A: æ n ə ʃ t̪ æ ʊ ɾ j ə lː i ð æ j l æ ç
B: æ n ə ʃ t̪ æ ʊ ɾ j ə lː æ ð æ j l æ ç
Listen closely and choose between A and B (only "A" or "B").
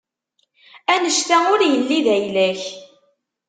A